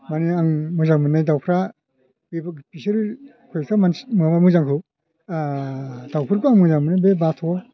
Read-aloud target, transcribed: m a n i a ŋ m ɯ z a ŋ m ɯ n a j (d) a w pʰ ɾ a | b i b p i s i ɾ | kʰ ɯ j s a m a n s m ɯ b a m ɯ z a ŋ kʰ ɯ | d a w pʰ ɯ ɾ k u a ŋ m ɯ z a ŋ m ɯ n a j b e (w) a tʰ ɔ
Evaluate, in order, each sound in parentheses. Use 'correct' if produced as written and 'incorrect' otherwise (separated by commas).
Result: correct, incorrect